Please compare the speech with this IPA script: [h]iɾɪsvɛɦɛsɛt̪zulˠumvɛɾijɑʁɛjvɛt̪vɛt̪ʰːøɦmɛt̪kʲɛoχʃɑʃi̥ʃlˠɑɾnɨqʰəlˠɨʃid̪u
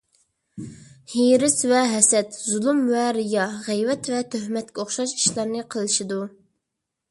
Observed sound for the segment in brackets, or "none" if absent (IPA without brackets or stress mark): h